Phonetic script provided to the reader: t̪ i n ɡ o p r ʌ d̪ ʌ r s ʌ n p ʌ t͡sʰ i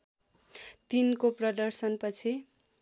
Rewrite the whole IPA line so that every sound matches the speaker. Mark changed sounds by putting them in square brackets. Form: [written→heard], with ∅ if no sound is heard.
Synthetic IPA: t̪ i n [ɡ→k] o p r ʌ d̪ ʌ r s ʌ n p ʌ t͡sʰ i